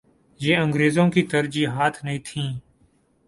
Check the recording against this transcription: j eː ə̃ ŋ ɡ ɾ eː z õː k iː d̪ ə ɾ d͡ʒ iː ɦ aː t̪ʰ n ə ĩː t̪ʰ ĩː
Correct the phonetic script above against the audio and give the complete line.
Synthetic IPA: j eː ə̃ ŋ ɡ ɾ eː z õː k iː t̪ ə ɾ d͡ʒ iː ɦ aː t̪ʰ n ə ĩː t̪ʰ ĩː

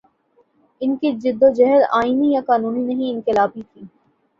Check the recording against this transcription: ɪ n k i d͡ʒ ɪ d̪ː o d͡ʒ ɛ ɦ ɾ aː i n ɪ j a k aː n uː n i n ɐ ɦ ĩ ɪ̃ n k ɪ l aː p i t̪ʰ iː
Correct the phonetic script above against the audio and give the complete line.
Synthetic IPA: ɪ n k i d͡ʒ ɪ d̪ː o d͡ʒ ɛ ɦ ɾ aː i n i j a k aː n uː n i n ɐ ɦ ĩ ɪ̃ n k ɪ l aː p i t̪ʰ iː

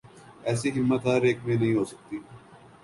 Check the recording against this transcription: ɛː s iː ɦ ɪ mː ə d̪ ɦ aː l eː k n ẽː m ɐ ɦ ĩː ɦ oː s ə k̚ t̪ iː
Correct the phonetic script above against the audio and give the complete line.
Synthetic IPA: ɛː s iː ɦ ɪ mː ə t̪ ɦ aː ɾ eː k m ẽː n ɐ ɦ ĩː ɦ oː s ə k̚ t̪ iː

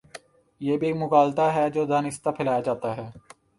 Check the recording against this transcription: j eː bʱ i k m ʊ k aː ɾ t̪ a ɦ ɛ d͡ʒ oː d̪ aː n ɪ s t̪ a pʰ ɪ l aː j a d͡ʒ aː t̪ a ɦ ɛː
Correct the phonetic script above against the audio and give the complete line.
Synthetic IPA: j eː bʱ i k m ʊ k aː l t̪ a ɦ ɛ d͡ʒ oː d̪ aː n ɪ s t̪ a pʰ ɪ l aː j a d͡ʒ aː t̪ a ɦ ɛː

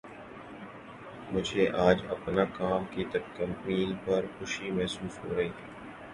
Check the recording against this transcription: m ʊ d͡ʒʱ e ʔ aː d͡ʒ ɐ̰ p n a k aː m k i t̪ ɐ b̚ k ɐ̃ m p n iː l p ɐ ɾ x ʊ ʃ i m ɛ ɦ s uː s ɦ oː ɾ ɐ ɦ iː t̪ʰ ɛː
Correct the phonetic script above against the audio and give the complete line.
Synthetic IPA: m ʊ d͡ʒʱ e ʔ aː d͡ʒ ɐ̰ p n a k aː m k i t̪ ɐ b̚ k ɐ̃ m p n iː l p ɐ ɾ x ʊ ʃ i m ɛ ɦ s uː s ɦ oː ɾ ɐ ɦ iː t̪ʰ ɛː

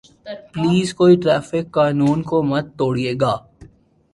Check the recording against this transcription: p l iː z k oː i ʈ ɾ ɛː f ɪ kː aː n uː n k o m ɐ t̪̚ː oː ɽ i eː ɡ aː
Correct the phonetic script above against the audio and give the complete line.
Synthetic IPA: p l iː z k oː i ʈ ɾ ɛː f ɪ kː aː n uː n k o m ɐ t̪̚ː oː ɽ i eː ɡ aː

